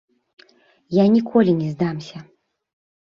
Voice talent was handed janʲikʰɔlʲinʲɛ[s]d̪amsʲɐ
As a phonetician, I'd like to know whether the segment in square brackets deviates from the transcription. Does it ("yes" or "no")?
yes